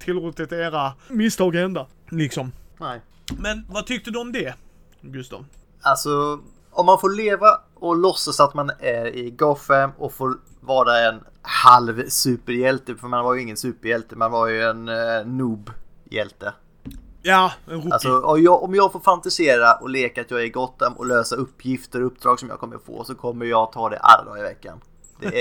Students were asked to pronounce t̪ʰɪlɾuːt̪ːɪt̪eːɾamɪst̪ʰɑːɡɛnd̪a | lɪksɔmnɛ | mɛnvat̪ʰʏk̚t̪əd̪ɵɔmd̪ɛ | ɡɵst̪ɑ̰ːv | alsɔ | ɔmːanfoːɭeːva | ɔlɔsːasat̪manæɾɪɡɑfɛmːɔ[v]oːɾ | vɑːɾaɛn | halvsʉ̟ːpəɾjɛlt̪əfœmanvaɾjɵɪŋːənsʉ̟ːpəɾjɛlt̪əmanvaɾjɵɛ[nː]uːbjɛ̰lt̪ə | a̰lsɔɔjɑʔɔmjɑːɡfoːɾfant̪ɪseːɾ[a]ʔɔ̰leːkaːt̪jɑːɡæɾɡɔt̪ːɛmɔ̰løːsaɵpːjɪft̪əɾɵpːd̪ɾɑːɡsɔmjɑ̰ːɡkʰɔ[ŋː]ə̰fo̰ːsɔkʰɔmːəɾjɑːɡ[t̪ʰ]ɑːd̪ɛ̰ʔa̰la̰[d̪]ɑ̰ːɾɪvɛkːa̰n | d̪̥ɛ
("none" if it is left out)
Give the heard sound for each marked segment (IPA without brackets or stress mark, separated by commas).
f, nː, a, mː, t̪ʰ, d̪